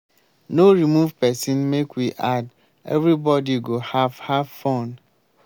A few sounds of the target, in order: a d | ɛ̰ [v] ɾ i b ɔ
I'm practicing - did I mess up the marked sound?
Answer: no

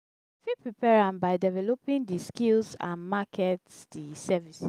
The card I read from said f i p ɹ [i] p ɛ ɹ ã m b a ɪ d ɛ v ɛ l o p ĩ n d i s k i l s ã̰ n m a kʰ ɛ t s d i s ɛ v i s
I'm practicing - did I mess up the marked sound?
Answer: no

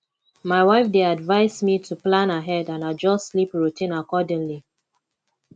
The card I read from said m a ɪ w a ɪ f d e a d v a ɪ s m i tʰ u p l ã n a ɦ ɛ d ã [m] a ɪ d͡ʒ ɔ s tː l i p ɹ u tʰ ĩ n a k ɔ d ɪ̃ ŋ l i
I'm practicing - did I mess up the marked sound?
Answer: yes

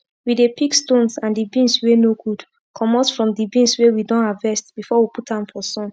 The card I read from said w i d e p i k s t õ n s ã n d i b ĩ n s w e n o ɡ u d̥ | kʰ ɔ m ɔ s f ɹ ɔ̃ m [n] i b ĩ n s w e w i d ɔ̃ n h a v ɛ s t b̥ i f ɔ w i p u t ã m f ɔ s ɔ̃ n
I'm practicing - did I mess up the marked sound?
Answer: yes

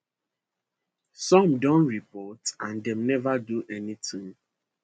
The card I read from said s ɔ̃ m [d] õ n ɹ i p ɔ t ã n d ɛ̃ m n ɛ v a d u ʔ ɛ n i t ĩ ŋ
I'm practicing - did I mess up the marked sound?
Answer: no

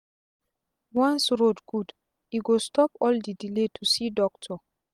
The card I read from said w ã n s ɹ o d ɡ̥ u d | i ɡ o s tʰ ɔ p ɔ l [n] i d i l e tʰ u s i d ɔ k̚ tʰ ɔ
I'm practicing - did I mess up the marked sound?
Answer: yes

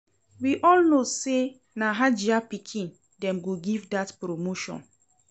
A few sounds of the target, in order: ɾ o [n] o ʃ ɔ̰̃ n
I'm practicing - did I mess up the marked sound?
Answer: yes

